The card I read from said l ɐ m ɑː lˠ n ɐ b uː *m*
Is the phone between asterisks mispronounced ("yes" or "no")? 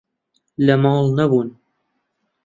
yes